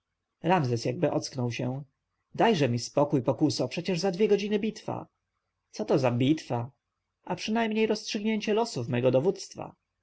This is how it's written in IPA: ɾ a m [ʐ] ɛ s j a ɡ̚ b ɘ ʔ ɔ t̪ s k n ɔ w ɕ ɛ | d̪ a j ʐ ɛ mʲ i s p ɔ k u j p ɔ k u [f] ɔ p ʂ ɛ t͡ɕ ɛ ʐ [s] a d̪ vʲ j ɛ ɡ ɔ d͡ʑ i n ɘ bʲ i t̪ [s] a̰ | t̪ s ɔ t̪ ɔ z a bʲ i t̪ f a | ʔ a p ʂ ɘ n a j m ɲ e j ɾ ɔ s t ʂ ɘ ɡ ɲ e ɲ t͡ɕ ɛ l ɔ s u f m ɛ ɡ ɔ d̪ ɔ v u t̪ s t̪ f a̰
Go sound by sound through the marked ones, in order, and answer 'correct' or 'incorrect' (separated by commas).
incorrect, incorrect, incorrect, incorrect